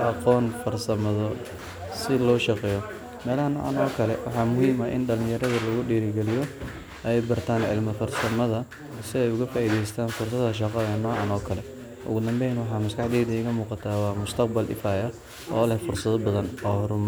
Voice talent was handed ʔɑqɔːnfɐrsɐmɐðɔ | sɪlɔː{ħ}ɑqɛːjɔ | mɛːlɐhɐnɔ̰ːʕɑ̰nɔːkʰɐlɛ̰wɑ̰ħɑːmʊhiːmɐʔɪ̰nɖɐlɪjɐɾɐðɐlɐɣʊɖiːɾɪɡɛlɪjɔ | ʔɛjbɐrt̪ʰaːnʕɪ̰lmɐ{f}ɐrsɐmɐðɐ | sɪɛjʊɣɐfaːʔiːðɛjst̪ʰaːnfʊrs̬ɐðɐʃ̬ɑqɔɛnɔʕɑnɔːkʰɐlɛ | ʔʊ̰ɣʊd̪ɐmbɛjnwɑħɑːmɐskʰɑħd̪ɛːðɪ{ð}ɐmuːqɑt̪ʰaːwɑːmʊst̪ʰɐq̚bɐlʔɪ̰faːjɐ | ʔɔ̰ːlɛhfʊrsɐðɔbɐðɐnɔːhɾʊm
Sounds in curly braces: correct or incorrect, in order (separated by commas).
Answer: incorrect, correct, incorrect